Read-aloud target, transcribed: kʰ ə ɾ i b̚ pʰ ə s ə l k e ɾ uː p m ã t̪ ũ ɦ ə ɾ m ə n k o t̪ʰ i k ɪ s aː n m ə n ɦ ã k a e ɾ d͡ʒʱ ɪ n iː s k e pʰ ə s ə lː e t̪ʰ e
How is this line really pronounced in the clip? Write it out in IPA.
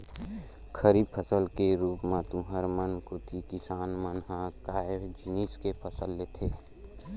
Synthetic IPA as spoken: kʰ ə ɾ i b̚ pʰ ə s ə l k e ɾ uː p m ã t̪ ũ ɦ ə ɾ m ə n k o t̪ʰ i k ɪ s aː n m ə n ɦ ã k a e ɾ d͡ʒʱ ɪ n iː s k e pʰ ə s ə lː e t̪ʰ e